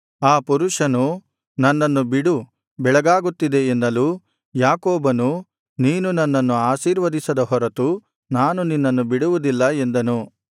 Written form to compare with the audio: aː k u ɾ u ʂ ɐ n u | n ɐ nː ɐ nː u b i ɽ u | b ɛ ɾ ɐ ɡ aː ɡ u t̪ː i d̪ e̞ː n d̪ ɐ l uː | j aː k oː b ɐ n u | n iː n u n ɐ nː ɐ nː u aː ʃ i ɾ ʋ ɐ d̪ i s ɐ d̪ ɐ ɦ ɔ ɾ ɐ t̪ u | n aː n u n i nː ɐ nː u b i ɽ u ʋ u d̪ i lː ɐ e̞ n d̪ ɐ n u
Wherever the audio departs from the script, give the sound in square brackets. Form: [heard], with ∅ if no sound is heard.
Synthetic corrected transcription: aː [p] u ɾ u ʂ ɐ n u | n ɐ nː ɐ nː u b i ɽ u | b ɛ [ɭ] ɐ ɡ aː ɡ u t̪ː i d̪ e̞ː n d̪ ɐ l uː | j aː k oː b ɐ n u | n iː n u n ɐ nː ɐ nː u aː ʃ [iː] ɾ ʋ ɐ d̪ i s ɐ d̪ ɐ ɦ ɔ ɾ ɐ t̪ u | n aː n u n i nː ɐ nː u b i ɽ u ʋ u d̪ i lː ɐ e̞ n d̪ ɐ n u

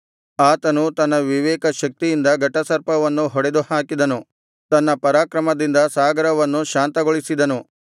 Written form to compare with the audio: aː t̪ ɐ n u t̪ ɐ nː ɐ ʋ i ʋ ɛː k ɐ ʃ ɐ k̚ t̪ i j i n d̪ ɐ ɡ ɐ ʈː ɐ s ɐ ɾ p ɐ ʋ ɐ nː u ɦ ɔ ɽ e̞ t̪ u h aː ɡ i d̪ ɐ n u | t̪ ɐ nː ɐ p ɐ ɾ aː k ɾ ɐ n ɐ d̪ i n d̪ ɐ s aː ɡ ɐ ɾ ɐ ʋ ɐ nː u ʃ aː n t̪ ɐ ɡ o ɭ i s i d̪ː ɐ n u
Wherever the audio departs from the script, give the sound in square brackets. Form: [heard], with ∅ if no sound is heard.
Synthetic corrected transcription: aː t̪ ɐ n u t̪ ɐ nː ɐ ʋ i ʋ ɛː k ɐ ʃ ɐ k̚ t̪ i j i n d̪ ɐ ɡ ɐ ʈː ɐ s ɐ ɾ p ɐ ʋ ɐ nː u ɦ ɔ ɽ e̞ [d̪] u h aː [k] i d̪ ɐ n u | t̪ ɐ nː ɐ p ɐ ɾ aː k ɾ ɐ [m] ɐ d̪ i n d̪ ɐ s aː ɡ ɐ ɾ ɐ ʋ ɐ nː u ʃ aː n t̪ ɐ ɡ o ɭ i s i [d̪] ɐ n u

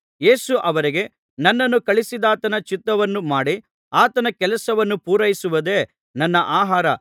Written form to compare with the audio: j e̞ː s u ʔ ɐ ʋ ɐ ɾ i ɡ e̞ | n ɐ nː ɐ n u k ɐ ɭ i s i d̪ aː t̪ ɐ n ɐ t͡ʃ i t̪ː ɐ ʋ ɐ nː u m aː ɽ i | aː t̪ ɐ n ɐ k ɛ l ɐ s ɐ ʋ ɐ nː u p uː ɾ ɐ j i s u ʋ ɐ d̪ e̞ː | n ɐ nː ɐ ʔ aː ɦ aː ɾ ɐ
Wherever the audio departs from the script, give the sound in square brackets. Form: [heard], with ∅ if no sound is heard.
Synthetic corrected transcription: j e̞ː s u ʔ ɐ ʋ ɐ ɾ i ɡ e̞ | n ɐ nː ɐ [nː] u k ɐ ɭ i s i d̪ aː t̪ ɐ n ɐ t͡ʃ i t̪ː ɐ ʋ ɐ nː u m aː ɽ i | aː t̪ ɐ n ɐ k ɛ l ɐ s ɐ ʋ ɐ nː u p uː ɾ ɐ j i s u ʋ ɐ d̪ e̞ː | n ɐ nː ɐ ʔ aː ɦ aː ɾ ɐ

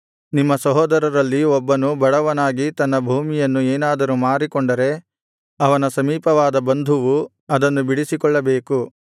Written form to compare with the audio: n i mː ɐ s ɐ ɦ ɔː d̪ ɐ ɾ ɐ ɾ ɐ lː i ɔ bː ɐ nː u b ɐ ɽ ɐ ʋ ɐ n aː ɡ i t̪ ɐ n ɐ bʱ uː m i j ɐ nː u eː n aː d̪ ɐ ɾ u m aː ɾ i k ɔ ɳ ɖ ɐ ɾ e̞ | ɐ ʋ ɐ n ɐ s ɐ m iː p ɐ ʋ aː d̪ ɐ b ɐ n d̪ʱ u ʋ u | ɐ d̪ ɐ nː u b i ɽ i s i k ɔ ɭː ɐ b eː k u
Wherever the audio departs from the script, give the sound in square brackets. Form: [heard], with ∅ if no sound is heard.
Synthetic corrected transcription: n i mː ɐ s ɐ ɦ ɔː d̪ ɐ ɾ ɐ ɾ ɐ lː i ɔ bː ɐ [n] u b ɐ ɽ ɐ ʋ ɐ n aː ɡ i t̪ ɐ [nː] ɐ bʱ uː m i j ɐ nː u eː n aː d̪ ɐ ɾ u m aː ɾ i k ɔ ɳ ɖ ɐ ɾ e̞ | ɐ ʋ ɐ n ɐ s ɐ m iː p ɐ ʋ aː d̪ ɐ b ɐ n d̪ʱ u ʋ u | ɐ d̪ ɐ nː u b i ɽ i s i k ɔ ɭː ɐ b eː k u

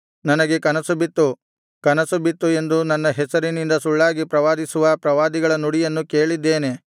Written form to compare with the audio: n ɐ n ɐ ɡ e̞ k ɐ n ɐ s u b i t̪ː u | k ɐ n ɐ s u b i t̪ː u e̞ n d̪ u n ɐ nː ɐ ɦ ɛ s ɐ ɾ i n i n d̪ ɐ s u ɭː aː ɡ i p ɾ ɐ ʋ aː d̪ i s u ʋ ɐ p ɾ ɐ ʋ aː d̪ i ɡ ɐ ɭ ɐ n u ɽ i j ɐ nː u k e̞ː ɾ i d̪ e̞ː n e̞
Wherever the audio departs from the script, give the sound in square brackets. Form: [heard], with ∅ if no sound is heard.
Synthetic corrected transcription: n ɐ n ɐ ɡ e̞ k ɐ n ɐ s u b i t̪ː u | k ɐ n ɐ s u b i t̪ː u e̞ n d̪ u n ɐ nː ɐ ɦ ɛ s ɐ ɾ i n i n d̪ ɐ s u ɭː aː ɡ i p ɾ ɐ ʋ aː d̪ i s u ʋ ɐ p ɾ ɐ ʋ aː d̪ i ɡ ɐ ɭ ɐ n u ɽ i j ɐ nː u k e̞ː [ɭ] i [d̪ː] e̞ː n e̞

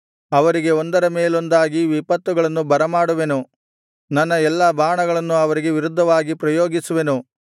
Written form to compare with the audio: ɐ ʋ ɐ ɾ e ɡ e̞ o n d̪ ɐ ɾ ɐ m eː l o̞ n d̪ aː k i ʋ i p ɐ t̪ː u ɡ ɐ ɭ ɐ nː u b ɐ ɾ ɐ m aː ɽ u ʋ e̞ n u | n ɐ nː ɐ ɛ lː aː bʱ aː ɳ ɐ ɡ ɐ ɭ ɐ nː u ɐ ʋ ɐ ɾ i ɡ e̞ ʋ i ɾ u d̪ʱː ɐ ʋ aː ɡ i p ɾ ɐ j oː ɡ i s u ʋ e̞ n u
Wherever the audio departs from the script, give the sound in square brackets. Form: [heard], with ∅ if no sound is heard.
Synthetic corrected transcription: ɐ ʋ ɐ ɾ [i] ɡ e̞ o n d̪ ɐ ɾ ɐ m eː l o̞ n d̪ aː [ɡ] i ʋ i p ɐ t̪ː u ɡ ɐ ɭ ɐ nː u b ɐ ɾ ɐ m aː ɽ u ʋ e̞ n u | n ɐ nː ɐ ɛ lː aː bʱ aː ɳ ɐ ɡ ɐ ɭ ɐ nː u ɐ ʋ ɐ ɾ i ɡ e̞ ʋ i ɾ u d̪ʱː ɐ ʋ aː ɡ i p ɾ ɐ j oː ɡ i s u ʋ e̞ n u

